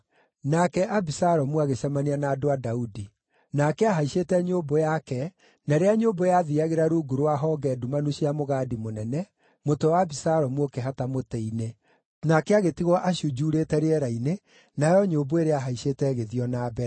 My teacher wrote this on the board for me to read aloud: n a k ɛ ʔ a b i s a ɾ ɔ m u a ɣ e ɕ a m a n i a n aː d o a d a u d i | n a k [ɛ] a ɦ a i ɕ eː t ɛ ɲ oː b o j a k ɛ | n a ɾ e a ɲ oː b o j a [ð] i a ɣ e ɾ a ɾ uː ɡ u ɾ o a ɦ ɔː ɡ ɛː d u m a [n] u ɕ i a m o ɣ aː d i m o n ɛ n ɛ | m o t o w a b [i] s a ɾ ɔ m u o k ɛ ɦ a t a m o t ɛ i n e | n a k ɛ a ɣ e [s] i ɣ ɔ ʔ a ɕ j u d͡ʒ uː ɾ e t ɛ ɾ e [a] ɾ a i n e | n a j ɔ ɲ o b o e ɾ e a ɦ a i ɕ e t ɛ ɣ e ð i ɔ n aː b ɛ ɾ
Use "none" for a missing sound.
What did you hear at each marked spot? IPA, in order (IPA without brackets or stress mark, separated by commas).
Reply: ɛ, ð, n, i, t, ɛ